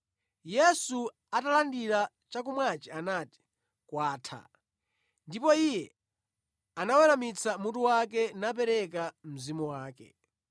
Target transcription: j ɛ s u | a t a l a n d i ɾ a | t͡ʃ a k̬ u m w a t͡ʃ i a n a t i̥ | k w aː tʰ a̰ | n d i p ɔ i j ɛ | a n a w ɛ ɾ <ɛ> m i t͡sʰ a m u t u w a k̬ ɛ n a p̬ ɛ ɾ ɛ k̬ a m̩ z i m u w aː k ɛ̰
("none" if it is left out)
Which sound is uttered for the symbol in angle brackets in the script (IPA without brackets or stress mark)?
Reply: a